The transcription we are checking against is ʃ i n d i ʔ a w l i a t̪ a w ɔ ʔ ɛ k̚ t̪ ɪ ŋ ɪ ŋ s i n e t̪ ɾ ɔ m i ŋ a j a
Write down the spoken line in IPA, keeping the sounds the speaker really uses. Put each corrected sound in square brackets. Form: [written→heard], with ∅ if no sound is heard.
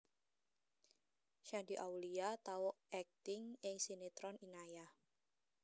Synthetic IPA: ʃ [i→a] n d i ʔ a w l i a t̪ a w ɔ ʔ ɛ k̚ t̪ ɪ ŋ ɪ ŋ s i n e t̪ ɾ ɔ [m→n] i [ŋ→n] a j a